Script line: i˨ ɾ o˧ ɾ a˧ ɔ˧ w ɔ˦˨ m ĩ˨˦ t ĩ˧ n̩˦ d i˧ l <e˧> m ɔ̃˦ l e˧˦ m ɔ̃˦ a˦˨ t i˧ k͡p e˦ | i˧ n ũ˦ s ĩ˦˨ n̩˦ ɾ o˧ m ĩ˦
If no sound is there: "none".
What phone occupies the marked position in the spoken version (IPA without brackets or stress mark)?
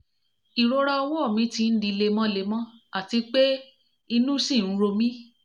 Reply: e˧